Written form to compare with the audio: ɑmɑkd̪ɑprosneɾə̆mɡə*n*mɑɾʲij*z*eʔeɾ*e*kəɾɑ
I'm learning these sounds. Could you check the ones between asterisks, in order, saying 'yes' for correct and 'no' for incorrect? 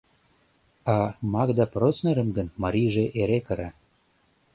yes, no, yes

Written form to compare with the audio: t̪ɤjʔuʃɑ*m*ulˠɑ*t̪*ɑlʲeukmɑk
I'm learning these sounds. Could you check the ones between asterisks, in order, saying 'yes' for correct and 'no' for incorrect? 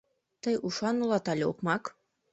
no, yes

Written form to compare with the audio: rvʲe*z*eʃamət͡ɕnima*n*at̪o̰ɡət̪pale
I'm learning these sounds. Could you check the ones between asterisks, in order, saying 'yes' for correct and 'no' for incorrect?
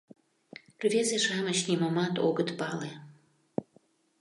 yes, no

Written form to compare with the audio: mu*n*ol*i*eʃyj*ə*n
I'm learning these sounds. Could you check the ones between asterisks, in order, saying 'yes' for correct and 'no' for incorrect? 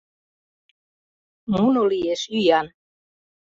yes, yes, no

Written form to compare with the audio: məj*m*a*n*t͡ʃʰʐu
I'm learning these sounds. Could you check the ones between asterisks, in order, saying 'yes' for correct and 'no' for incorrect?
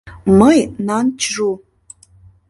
no, yes

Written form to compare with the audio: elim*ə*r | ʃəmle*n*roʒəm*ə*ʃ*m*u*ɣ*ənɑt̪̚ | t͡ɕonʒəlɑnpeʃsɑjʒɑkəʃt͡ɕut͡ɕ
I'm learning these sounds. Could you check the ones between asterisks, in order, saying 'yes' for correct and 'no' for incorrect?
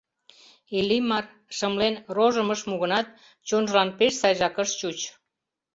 no, yes, yes, yes, yes

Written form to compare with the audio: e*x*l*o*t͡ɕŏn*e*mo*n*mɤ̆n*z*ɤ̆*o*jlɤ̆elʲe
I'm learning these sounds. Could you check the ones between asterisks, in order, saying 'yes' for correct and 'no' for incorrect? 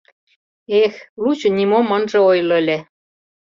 yes, no, no, no, no, yes

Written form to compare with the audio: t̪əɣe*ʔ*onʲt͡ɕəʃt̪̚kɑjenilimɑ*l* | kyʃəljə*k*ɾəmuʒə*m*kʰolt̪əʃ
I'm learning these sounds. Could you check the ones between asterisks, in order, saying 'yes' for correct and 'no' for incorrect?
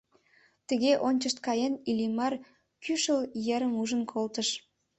yes, no, no, no

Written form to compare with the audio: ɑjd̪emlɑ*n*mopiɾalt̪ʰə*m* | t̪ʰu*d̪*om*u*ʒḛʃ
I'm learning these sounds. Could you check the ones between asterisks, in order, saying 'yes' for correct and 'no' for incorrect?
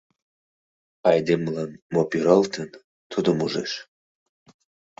yes, no, yes, yes

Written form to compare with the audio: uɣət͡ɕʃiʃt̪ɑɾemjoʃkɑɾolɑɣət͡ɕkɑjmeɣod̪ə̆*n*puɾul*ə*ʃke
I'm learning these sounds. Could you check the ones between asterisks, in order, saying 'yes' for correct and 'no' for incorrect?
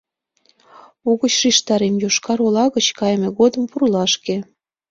no, no

